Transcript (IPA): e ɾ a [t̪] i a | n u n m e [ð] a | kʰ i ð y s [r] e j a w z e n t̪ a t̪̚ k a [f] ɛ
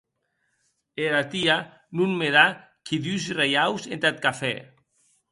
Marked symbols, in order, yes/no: yes, yes, yes, yes

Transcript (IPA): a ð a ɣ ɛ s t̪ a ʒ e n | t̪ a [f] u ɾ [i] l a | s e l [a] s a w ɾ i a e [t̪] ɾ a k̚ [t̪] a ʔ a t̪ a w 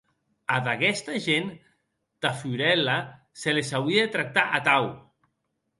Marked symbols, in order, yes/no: yes, no, no, yes, yes

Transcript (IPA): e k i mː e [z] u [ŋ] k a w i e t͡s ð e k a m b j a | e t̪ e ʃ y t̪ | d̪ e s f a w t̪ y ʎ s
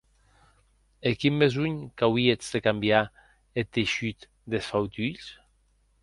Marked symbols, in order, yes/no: yes, no

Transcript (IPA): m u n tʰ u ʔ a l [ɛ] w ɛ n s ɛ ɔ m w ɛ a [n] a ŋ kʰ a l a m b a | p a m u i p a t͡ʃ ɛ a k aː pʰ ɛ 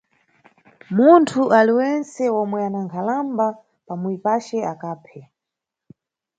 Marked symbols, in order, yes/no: no, yes

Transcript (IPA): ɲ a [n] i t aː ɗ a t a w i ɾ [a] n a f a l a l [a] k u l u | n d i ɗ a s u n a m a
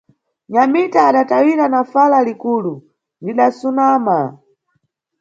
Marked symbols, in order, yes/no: no, yes, no

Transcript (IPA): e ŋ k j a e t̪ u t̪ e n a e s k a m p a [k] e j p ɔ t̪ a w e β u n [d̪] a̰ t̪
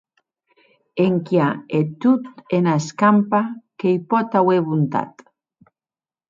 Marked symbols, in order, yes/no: yes, no

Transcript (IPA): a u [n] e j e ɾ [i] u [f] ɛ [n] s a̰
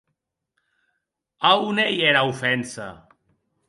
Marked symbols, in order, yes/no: yes, no, yes, yes

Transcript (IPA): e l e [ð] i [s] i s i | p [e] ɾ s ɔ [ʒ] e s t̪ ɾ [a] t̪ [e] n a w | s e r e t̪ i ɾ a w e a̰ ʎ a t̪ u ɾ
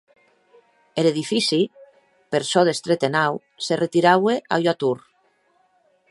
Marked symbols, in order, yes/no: yes, no, yes, no, no, yes

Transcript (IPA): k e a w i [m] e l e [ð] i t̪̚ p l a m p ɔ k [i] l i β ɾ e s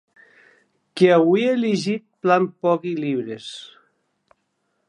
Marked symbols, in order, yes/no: no, no, yes

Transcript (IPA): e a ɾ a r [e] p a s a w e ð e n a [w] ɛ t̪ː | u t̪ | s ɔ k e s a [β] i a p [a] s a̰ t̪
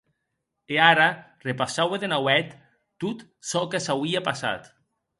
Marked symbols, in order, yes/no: yes, yes, no, yes

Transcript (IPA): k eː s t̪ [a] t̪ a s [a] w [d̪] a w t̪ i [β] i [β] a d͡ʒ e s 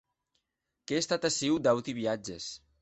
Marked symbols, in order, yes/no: yes, no, yes, yes, no

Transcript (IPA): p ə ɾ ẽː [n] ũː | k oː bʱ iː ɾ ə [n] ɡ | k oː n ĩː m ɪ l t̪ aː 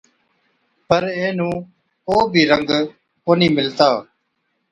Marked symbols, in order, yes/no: yes, no

